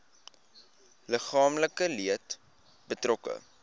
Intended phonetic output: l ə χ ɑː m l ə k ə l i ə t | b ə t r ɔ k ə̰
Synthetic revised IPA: l ə χ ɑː m l ə k ə l i ə t | b ə t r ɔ k ə̰

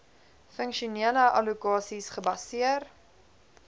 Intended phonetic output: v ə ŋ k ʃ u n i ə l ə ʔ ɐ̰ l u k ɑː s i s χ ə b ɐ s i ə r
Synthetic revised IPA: f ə ŋ k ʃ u n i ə l ə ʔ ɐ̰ l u k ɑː s i s χ ə b ɐ s i ə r

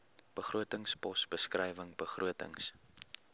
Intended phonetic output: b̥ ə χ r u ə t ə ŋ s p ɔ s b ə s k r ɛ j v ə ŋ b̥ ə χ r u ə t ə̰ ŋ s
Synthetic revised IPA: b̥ ə χ r u ə t ə ŋ s p ɔ s b ə s k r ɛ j v ə ŋ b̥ ə χ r u ə t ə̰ ŋ s

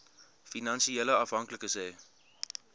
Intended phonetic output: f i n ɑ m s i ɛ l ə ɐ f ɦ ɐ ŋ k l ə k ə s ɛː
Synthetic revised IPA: f i n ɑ n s i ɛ l ə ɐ f ɦ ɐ ŋ k l ə k ə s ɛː

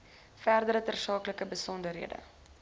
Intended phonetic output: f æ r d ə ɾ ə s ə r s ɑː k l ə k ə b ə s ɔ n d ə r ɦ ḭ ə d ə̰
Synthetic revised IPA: f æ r d ə ɾ ə t ə r s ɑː k l ə k ə b ə s ɔ n d ə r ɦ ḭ ə d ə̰

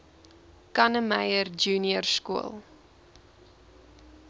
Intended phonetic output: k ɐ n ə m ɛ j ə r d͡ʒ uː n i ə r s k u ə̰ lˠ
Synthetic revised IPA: k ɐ n ə m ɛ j ə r d͡ʒ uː n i ə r s k u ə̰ lˠ

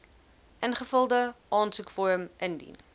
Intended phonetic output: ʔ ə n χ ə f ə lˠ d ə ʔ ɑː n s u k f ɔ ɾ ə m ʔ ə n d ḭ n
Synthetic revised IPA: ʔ ə n χ ə f ə lˠ d ə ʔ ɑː n s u k f ɔ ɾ ə m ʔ ə n d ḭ n

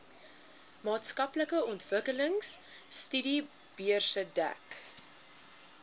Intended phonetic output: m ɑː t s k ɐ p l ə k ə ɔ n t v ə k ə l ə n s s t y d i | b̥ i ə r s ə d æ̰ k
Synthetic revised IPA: m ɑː t s k ɐ p l ə k ə ɔ n t v ə k ə l ə ŋ s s t y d i | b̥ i ə r s ə d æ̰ k

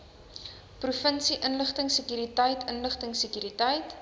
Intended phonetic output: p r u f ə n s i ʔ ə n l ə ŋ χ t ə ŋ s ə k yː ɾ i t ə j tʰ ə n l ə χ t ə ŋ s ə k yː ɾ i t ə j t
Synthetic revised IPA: p r u f ə n s i ʔ ə n l ə χ t ə ŋ s ə k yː ɾ i t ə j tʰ ə n l ə χ t ə ŋ s ə k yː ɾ i t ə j t

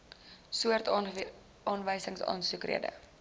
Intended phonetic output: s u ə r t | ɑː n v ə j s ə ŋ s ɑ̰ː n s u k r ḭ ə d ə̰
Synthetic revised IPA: s u ə r t | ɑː n v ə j s ə ŋ s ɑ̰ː n s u k r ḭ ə d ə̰

